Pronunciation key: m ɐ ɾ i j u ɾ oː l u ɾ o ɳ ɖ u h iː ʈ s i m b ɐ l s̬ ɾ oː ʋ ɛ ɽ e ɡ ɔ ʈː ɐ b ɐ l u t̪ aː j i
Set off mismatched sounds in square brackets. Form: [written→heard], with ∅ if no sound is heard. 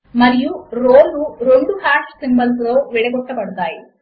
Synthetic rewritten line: m ɐ ɾ i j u ɾ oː l u ɾ o ɳ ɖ u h [iː→aː] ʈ s i m b ɐ l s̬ ɾ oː ʋ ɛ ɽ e ɡ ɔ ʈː ɐ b ɐ [l→ɽ] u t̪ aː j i